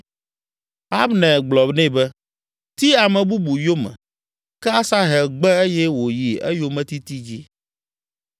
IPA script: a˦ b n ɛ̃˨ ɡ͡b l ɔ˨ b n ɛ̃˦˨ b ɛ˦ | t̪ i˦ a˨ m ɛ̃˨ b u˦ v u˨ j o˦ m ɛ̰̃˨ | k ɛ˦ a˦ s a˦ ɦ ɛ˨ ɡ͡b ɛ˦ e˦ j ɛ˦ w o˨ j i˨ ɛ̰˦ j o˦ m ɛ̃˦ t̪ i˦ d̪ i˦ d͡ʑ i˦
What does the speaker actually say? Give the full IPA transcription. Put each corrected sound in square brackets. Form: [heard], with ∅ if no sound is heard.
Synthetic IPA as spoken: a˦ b n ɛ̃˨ ɡ͡b l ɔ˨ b n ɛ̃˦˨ b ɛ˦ | t̪ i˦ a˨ m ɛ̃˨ b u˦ [b] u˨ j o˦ m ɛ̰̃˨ | k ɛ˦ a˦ s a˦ ɦ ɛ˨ ɡ͡b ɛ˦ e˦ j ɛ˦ w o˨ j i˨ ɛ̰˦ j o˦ m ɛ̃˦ t̪ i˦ [t̪] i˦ d͡ʑ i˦